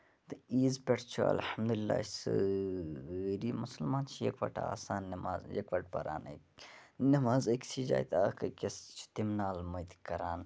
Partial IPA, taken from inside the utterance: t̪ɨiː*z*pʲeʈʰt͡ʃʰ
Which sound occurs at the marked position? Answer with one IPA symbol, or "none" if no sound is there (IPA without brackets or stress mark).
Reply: z